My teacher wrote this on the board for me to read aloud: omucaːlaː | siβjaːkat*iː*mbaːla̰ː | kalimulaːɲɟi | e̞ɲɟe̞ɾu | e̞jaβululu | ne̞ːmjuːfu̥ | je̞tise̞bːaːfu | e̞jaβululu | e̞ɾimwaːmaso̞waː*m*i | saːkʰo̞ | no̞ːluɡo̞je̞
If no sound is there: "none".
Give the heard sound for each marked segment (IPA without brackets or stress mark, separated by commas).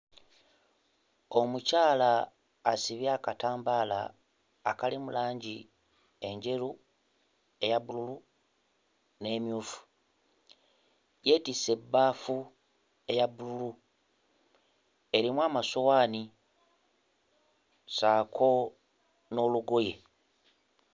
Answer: aː, n